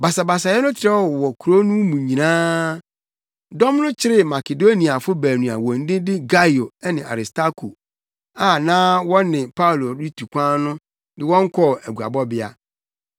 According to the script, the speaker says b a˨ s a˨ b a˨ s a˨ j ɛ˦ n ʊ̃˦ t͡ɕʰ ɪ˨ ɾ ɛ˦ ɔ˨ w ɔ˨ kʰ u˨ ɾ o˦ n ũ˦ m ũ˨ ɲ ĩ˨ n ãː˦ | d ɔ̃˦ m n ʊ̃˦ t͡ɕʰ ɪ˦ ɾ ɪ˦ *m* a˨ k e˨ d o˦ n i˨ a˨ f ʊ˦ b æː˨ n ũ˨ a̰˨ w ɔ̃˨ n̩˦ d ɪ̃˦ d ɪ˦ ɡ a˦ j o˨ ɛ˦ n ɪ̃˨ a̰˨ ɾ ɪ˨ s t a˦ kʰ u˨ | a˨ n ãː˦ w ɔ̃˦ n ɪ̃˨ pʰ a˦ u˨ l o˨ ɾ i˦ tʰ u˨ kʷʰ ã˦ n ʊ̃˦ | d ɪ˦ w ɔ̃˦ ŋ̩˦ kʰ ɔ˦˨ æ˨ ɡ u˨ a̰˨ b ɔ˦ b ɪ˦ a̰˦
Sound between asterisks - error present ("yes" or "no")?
no